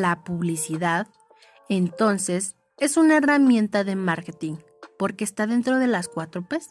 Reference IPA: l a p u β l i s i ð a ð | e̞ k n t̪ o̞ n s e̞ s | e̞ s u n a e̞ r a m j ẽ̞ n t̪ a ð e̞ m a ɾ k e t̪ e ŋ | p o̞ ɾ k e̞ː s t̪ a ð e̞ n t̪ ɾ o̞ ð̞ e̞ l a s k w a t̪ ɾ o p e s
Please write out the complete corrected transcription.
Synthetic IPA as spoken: l a p u β l i s i ð a ð | e̞ n t̪ o̞ n s e̞ s | e̞ s u n a e̞ r a m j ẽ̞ n t̪ a ð e̞ m a ɾ k e t̪ i ŋ | p o̞ ɾ k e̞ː s t̪ a ð e̞ n t̪ ɾ o̞ ð̞ e̞ l a s k w a t̪ ɾ o p e s